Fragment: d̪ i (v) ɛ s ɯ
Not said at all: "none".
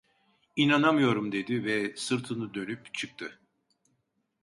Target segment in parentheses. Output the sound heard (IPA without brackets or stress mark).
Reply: v